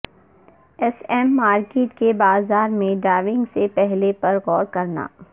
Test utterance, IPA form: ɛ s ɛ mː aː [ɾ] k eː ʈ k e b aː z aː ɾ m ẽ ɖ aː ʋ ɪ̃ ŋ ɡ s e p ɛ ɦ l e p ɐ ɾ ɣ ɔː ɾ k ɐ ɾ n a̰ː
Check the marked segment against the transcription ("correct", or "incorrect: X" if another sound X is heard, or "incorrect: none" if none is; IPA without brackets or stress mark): correct